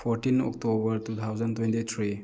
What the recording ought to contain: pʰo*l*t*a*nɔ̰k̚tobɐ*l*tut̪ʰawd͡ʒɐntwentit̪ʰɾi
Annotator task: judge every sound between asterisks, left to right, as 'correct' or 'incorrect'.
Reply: incorrect, incorrect, incorrect

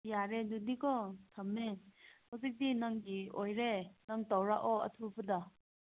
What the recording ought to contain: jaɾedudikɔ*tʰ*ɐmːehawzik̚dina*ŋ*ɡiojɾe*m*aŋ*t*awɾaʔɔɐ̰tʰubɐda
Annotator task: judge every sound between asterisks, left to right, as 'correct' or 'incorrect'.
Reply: correct, correct, incorrect, correct

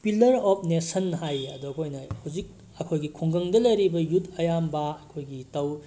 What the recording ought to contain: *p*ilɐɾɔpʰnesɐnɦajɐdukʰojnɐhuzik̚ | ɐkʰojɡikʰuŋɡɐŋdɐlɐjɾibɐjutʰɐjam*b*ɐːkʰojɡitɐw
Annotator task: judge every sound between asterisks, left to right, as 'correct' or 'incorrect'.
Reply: correct, correct

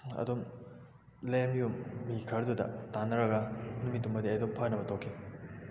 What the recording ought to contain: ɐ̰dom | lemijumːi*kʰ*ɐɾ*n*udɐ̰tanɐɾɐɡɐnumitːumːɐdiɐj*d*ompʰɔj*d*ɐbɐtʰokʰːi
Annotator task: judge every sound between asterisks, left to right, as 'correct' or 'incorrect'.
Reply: correct, incorrect, correct, incorrect

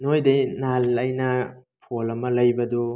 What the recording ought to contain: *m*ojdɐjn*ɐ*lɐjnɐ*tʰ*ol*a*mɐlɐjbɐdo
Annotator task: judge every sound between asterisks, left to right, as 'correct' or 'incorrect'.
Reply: incorrect, incorrect, incorrect, incorrect

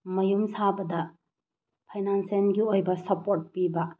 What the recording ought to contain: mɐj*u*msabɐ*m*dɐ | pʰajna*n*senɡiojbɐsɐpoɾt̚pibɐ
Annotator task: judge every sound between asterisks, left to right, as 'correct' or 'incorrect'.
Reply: correct, incorrect, correct

